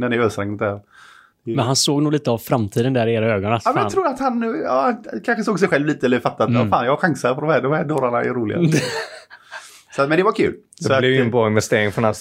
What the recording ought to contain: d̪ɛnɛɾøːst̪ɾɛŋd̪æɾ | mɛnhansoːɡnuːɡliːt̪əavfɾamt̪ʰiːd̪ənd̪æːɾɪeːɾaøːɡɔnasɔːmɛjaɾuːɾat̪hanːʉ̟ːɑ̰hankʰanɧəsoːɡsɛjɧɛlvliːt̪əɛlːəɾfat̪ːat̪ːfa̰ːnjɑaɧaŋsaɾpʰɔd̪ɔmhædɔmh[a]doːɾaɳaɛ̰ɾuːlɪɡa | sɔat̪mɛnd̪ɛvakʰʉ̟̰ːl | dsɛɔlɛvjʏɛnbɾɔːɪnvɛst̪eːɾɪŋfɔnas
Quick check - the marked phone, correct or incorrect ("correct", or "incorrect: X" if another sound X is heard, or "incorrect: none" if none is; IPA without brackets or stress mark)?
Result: incorrect: æ